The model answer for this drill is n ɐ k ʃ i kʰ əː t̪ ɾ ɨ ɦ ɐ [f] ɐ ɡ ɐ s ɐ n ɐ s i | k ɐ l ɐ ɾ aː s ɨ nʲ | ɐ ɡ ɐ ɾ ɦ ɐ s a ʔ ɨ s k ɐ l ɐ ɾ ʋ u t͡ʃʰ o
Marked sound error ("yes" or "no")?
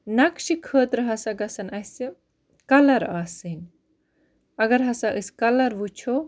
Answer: yes